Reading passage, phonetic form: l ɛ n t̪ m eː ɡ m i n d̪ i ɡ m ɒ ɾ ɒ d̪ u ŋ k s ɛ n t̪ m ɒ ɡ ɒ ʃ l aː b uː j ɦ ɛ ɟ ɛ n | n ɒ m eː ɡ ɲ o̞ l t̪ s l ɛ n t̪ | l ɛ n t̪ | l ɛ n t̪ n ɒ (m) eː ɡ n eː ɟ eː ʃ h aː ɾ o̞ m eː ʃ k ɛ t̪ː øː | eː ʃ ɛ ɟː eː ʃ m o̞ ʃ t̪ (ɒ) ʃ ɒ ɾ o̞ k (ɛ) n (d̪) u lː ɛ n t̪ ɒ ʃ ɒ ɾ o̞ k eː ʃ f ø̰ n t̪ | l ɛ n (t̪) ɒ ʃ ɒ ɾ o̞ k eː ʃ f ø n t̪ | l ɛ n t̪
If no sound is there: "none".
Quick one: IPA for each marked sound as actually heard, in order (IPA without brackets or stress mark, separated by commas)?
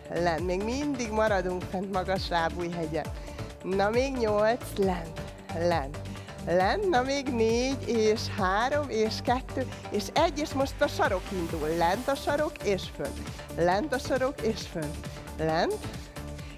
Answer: m, ɒ, i, d̪, t̪